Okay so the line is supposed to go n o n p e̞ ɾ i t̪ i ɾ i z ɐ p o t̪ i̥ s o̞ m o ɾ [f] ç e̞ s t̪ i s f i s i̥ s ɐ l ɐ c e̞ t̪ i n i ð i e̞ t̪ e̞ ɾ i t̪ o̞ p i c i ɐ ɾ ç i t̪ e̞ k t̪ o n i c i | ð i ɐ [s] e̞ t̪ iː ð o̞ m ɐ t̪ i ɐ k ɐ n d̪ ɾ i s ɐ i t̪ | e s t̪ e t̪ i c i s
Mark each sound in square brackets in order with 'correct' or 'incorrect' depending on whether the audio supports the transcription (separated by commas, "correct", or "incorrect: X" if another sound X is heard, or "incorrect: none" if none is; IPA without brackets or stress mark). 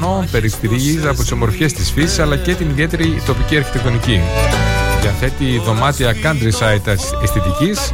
correct, incorrect: θ